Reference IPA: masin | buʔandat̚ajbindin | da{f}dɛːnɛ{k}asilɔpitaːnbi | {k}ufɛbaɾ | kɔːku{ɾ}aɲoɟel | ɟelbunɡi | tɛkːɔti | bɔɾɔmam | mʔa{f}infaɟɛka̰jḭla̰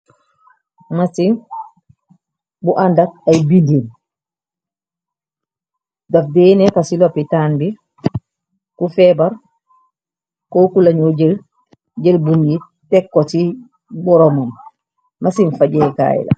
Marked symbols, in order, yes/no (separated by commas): yes, yes, yes, no, no